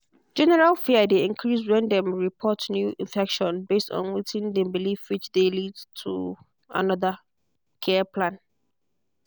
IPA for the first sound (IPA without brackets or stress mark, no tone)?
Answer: d͡ʒ